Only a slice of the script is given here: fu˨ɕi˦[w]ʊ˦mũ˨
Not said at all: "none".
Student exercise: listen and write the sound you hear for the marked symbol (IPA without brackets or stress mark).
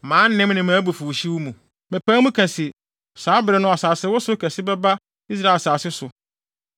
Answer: w